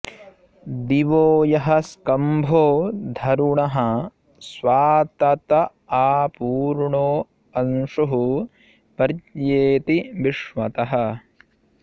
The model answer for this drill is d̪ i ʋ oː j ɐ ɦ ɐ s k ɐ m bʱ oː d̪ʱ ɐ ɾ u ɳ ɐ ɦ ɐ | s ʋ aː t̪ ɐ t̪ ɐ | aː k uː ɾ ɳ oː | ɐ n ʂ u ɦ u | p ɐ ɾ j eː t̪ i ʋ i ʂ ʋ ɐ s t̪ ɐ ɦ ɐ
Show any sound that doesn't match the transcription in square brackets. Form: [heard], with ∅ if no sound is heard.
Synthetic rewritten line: d̪ i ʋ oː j ɐ ɦ ɐ s k ɐ m bʱ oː d̪ʱ ɐ ɾ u ɳ ɐ ɦ ɐ | s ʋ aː t̪ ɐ t̪ ɐ | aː [p] uː ɾ ɳ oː | ɐ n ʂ u ɦ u | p ɐ ɾ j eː t̪ i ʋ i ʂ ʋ ɐ [∅] t̪ ɐ ɦ ɐ

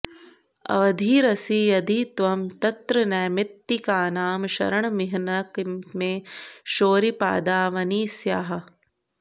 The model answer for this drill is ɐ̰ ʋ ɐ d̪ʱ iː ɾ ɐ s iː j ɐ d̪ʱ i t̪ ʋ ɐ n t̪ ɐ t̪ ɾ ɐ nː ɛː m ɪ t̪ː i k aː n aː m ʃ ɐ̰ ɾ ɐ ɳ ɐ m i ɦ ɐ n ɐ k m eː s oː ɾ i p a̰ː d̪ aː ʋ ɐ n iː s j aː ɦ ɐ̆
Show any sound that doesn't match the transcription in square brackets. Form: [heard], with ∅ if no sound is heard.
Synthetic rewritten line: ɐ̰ ʋ ɐ d̪ʱ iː ɾ ɐ s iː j ɐ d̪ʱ i t̪ ʋ ɐ [m] t̪ ɐ t̪ ɾ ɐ [n] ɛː m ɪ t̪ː i k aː n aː m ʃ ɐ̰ ɾ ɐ ɳ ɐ m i ɦ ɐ n ɐ k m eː [ʃ] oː ɾ i p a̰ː d̪ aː ʋ ɐ n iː s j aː ɦ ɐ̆

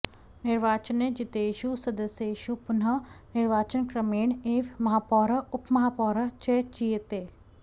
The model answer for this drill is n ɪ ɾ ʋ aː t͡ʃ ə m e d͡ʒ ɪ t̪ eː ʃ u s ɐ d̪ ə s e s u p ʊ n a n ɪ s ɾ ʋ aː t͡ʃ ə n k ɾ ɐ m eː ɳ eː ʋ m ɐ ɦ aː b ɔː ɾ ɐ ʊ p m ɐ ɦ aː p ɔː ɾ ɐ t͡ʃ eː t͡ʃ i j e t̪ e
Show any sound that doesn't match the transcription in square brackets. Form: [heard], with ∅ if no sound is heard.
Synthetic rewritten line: n ɪ ɾ ʋ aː t͡ʃ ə [n] e d͡ʒ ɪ t̪ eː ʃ u s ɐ d̪ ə s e [ʃ] u p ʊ n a n ɪ [∅] ɾ ʋ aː t͡ʃ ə n k ɾ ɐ m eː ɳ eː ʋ m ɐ ɦ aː [p] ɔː ɾ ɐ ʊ p m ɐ ɦ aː p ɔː ɾ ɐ t͡ʃ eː t͡ʃ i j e t̪ e

